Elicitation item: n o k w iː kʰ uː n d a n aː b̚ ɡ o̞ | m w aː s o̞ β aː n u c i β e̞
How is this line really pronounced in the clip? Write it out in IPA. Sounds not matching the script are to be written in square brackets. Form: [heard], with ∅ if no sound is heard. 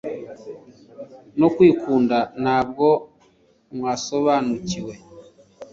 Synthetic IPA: n o k w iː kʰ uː n d a n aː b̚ ɡ o̞ | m w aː s o̞ β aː n u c i [w] e̞